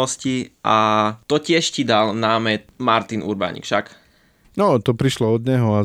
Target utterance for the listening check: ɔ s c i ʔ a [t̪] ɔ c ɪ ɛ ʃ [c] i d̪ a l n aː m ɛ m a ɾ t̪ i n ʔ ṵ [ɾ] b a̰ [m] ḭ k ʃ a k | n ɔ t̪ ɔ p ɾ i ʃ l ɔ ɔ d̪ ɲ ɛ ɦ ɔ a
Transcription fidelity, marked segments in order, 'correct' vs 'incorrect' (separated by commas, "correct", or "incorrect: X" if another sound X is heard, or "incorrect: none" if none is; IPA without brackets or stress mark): correct, correct, correct, incorrect: ɲ